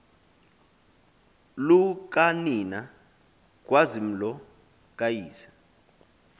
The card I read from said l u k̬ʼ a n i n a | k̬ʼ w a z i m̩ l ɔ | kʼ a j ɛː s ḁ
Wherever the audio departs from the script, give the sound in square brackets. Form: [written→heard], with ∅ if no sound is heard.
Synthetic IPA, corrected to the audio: l u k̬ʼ a n i n a | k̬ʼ w a z i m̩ l ɔ | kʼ a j [ɛː→iː] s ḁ